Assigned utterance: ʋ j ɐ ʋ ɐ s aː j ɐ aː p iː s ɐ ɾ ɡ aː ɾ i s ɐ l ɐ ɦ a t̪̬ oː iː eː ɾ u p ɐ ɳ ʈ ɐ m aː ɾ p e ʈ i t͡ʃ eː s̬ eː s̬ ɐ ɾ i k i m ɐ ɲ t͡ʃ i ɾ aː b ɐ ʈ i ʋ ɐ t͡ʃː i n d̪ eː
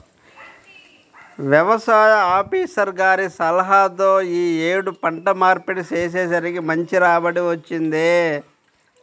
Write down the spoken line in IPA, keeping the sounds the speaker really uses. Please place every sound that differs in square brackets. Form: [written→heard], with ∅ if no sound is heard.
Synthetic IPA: ʋ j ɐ ʋ ɐ s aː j ɐ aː p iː s ɐ ɾ ɡ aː ɾ i s ɐ l ɐ ɦ a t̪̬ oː iː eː [ɾ→ɽ] u p ɐ ɳ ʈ ɐ m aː ɾ p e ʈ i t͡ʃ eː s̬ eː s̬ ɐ ɾ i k i m ɐ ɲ t͡ʃ i ɾ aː b ɐ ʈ i ʋ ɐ t͡ʃː i n d̪ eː